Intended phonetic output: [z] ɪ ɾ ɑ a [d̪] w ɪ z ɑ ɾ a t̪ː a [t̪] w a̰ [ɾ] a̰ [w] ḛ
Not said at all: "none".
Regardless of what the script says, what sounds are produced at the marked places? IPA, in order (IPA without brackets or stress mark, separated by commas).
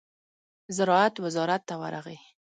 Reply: z, t̪, none, ɾ, ɣ